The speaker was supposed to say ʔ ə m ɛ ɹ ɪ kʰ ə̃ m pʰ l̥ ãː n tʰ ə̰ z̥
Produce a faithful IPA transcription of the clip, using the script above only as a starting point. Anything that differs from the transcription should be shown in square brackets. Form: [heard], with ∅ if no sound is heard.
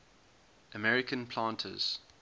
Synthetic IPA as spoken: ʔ ə m ɛ ɹ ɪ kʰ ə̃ [n] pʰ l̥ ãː n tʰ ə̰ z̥